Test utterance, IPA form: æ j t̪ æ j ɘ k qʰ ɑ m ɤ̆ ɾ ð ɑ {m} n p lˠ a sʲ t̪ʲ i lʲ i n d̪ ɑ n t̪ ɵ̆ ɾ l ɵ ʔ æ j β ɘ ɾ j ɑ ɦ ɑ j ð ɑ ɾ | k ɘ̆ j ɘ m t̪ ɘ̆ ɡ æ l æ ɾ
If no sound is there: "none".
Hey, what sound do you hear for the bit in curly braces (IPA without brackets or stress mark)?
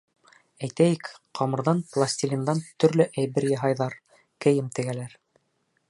none